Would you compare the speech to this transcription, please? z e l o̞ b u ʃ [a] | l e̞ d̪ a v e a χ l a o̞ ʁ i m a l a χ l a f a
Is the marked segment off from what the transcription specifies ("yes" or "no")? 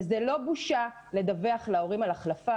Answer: no